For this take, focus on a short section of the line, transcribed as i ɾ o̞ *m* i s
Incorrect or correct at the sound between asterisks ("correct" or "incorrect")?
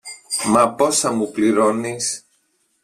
incorrect